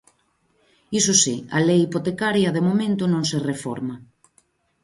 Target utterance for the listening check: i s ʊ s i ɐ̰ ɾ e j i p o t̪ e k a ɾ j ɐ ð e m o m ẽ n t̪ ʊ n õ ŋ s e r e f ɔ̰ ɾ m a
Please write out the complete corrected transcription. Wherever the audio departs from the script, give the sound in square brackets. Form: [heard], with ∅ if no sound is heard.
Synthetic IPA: i s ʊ s i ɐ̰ [l] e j i p o t̪ e k a ɾ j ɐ ð e m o m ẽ n t̪ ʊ n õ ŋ s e r e f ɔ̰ ɾ m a